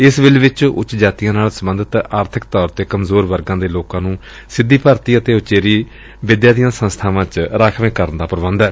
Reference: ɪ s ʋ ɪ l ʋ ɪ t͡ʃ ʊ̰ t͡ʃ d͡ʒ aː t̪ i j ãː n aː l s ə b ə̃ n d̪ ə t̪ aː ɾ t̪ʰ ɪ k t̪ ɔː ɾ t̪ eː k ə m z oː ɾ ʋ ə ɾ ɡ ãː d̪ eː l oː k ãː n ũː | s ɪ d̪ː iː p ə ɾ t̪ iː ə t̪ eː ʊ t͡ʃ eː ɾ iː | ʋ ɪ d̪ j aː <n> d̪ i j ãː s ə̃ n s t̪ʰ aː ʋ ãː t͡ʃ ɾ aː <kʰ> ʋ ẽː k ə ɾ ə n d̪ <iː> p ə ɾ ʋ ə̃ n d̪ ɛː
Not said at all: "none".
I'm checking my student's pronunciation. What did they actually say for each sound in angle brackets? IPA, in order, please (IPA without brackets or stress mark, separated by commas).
none, kʰ, aː